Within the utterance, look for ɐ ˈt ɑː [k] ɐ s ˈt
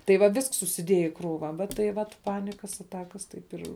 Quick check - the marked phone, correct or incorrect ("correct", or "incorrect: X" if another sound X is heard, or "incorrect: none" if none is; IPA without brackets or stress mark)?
correct